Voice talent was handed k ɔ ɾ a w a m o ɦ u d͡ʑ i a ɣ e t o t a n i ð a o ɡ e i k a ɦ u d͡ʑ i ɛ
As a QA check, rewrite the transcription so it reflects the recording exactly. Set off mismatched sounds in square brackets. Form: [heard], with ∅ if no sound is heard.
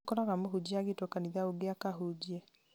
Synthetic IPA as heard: k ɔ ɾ a [ɣ] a m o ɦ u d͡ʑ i a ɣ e t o [k] a n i ð a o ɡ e [a] k a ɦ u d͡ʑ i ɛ